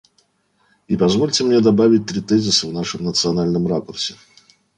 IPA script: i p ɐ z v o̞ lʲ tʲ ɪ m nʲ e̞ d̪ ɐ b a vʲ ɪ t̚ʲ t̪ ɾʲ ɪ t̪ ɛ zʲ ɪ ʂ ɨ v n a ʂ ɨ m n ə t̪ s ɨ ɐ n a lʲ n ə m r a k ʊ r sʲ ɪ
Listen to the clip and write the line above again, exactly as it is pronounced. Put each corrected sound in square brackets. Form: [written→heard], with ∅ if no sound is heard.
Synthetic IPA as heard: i p ɐ z v o̞ lʲ tʲ ɪ m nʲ e̞ d̪ ɐ b a vʲ ɪ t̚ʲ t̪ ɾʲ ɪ t̪ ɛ zʲ ɪ [ʂ→s] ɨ v n a ʂ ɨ m n ə t̪ s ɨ ɐ n a lʲ n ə m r a k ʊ r sʲ ɪ

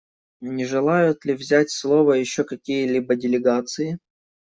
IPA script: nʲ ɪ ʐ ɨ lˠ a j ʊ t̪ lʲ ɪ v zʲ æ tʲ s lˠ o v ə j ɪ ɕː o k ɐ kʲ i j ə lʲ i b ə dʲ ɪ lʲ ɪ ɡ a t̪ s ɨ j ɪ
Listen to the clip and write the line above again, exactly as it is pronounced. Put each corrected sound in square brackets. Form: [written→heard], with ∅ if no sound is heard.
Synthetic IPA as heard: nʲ ɪ ʐ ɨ lˠ a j ʊ t̪ lʲ ɪ v zʲ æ tʲ s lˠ o v ə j ɪ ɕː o k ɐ kʲ i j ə lʲ i b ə dʲ ɪ lʲ ɪ ɡ a t̪ s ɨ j ɪ

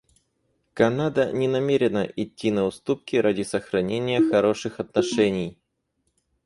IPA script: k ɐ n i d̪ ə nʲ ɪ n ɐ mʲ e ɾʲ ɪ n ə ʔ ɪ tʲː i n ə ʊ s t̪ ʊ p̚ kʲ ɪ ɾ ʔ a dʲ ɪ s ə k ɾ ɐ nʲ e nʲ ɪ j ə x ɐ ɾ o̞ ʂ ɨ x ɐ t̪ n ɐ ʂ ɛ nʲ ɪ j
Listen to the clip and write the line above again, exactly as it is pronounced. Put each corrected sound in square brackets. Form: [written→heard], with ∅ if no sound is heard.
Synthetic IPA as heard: k ɐ n [i→a] d̪ ə nʲ ɪ n ɐ mʲ e ɾʲ ɪ n ə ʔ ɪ tʲː i n ə ʊ s t̪ [ʊ→u] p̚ kʲ ɪ ɾ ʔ a dʲ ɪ s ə [k→x] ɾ ɐ nʲ e nʲ ɪ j ə x ɐ ɾ o̞ ʂ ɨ x ɐ t̪ n ɐ ʂ ɛ nʲ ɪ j

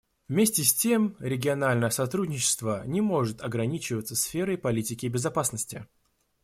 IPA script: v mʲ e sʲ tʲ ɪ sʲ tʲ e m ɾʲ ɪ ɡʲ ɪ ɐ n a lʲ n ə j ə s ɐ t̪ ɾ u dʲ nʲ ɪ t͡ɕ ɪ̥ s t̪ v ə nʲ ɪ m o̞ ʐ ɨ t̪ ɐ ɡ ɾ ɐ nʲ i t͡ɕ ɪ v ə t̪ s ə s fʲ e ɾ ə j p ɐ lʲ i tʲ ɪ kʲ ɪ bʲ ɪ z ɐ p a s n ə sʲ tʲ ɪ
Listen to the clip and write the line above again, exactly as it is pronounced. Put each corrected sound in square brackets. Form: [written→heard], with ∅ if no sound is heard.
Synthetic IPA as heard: v mʲ e sʲ tʲ ɪ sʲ tʲ e m ɾʲ ɪ ɡʲ ɪ ɐ n a lʲ n ə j ə s ɐ t̪ ɾ u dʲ nʲ ɪ t͡ɕ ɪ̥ s t̪ v ə nʲ ɪ m o̞ ʐ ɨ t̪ ɐ ɡ ɾ ɐ nʲ i t͡ɕ ɪ v ə t̪ s ə s fʲ e ɾ ə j p ɐ lʲ i tʲ ɪ kʲ ɪ bʲ ɪ z ɐ p a s n ə sʲ tʲ ɪ

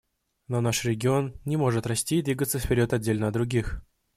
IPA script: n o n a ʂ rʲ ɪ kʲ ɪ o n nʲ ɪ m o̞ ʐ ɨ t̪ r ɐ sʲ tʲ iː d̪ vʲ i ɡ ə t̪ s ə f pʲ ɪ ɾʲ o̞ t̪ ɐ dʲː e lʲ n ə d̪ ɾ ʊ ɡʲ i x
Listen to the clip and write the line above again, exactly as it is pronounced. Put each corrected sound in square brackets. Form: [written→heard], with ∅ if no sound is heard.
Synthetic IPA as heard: n o n a ʂ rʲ ɪ [kʲ→ɡʲ] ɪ o n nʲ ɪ m o̞ ʐ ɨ t̪ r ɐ sʲ tʲ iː d̪ vʲ i ɡ ə t̪ s ə f pʲ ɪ ɾʲ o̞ t̪ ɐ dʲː e lʲ n ə d̪ ɾ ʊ ɡʲ i x

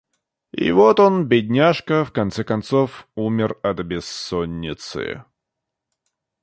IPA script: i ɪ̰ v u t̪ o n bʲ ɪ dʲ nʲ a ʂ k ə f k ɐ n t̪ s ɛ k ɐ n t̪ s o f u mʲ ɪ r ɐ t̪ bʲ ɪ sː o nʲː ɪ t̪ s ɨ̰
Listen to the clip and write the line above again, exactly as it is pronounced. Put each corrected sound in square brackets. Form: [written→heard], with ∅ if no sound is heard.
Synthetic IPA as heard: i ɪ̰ v [u→o] t̪ o n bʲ ɪ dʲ nʲ a ʂ k ə f k ɐ n t̪ s ɛ k ɐ n t̪ s o f u mʲ ɪ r ɐ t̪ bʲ ɪ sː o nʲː ɪ t̪ s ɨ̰

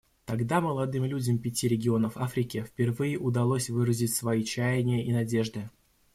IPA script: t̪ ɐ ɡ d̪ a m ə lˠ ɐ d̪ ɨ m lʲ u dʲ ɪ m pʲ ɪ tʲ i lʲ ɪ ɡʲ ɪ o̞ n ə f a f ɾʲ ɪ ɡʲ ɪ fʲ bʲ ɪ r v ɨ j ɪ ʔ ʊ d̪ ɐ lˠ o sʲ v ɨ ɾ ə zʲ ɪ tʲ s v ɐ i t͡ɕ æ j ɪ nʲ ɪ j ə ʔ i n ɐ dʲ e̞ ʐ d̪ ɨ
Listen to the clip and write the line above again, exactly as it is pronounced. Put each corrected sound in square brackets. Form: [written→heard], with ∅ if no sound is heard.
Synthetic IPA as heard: t̪ ɐ ɡ d̪ a m ə lˠ ɐ d̪ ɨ m lʲ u dʲ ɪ m pʲ ɪ tʲ i [lʲ→ɾʲ] ɪ ɡʲ ɪ o̞ n ə f a f ɾʲ ɪ [ɡʲ→kʲ] ɪ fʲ [bʲ→pʲ] ɪ r v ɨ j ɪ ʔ ʊ d̪ ɐ lˠ o sʲ v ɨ ɾ ə zʲ ɪ tʲ s v ɐ i t͡ɕ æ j ɪ nʲ ɪ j ə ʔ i n ɐ dʲ e̞ ʐ d̪ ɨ

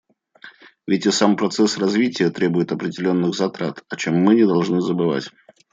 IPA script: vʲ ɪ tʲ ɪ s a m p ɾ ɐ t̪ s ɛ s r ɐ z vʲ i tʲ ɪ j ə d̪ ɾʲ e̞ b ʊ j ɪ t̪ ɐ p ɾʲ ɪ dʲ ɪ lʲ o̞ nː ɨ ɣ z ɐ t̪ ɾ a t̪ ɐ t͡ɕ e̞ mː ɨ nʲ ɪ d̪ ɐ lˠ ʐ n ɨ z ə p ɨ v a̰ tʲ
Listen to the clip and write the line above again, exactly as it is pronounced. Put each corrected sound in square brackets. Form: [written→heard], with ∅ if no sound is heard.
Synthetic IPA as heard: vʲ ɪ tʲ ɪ s a m p ɾ ɐ t̪ s ɛ s r ɐ z vʲ i tʲ ɪ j ə [d̪→t̪] ɾʲ e̞ b ʊ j ɪ t̪ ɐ p ɾʲ ɪ dʲ ɪ lʲ o̞ nː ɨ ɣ z ɐ t̪ ɾ a t̪ ɐ t͡ɕ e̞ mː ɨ nʲ ɪ d̪ ɐ lˠ ʐ n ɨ z ə [p→b] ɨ v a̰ tʲ

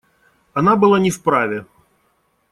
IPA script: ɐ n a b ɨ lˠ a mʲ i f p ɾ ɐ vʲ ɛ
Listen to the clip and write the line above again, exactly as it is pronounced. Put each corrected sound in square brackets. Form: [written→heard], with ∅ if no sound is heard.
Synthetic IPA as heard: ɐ n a b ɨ lˠ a [mʲ→nʲ] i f p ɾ [ɐ→a] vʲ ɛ

